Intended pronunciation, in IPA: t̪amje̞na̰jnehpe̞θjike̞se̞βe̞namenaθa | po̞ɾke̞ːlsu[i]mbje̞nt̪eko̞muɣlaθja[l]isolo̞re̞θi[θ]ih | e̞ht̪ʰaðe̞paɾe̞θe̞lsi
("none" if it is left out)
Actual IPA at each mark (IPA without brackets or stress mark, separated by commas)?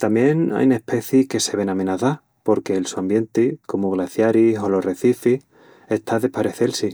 a, ɾ, f